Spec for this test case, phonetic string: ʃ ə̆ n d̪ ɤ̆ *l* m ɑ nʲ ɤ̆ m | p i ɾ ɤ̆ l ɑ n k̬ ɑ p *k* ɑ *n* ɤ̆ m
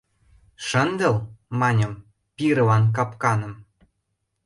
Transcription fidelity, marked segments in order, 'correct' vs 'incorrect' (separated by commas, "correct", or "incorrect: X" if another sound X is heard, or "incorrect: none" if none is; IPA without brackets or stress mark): correct, correct, correct